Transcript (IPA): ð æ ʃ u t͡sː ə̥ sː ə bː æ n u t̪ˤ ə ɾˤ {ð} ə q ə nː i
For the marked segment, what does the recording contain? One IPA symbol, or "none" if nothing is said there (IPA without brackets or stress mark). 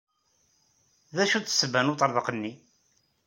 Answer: ð